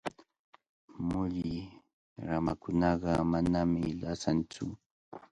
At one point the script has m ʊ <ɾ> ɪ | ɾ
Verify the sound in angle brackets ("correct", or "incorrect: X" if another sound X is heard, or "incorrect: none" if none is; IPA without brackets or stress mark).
incorrect: ʎ